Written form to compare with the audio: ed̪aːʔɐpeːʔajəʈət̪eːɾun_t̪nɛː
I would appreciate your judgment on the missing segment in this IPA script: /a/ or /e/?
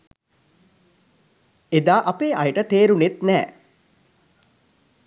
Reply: e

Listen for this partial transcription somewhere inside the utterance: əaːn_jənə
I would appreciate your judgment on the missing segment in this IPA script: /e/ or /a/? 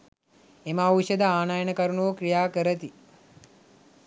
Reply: a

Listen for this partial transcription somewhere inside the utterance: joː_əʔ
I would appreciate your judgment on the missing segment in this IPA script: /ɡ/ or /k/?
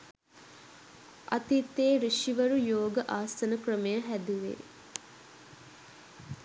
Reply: ɡ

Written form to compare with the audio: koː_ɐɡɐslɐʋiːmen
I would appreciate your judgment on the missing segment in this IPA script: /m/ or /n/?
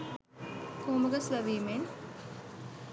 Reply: m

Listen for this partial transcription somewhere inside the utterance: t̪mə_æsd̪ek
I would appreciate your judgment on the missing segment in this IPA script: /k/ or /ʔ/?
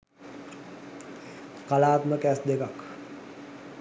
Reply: k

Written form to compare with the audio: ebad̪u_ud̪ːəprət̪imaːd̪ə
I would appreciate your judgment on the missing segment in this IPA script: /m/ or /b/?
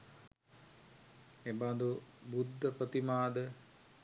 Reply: b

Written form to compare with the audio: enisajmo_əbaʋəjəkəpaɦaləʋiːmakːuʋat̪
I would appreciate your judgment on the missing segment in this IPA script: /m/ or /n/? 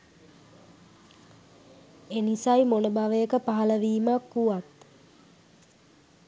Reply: n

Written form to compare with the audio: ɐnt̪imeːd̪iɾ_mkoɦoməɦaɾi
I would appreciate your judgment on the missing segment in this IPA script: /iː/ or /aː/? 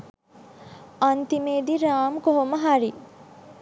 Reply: aː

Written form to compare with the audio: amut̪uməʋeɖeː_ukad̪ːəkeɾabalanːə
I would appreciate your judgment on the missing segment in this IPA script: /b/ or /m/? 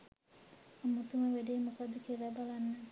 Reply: m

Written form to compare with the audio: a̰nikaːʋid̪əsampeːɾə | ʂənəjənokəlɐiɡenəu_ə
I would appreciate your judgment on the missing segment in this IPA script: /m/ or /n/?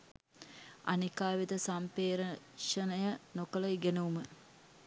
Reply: m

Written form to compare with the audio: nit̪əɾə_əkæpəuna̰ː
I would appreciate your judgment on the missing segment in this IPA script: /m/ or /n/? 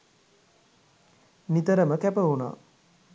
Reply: m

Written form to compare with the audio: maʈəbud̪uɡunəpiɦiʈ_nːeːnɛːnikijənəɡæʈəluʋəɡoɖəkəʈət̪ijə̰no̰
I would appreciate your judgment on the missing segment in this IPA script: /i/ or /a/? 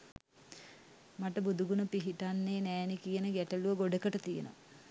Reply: a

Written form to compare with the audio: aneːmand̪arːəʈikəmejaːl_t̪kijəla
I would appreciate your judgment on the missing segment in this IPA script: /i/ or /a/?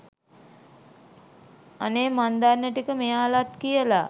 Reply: a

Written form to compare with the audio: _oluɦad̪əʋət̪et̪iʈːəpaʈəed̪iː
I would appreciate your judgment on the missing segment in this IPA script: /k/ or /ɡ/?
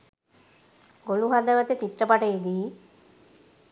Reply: ɡ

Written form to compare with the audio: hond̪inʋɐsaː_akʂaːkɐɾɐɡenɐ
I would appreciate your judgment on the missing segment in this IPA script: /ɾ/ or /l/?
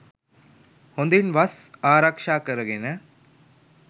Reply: ɾ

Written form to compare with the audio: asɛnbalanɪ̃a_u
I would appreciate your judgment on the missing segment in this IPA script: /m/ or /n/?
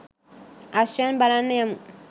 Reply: m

